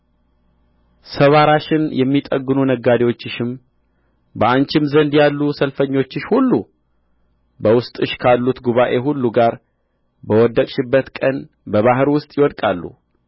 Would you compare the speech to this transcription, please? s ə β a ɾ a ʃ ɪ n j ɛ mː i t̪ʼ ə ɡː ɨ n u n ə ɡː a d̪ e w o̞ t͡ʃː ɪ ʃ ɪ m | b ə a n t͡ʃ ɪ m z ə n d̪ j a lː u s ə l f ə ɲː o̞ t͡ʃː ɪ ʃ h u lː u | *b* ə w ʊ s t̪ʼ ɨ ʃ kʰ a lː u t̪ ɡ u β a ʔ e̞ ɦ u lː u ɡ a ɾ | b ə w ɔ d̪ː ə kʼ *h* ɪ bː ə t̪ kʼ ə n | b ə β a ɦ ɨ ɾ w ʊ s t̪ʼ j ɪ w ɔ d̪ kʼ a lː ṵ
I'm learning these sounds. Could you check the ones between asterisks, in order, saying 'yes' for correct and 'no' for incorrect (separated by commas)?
yes, no